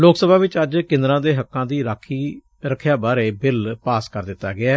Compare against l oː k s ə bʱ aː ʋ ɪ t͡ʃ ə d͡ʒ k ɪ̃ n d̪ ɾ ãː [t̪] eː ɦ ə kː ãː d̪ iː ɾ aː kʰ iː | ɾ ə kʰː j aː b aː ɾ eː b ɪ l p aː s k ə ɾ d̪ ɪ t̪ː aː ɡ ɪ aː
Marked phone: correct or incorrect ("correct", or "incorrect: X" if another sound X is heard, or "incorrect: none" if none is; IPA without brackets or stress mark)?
incorrect: d̪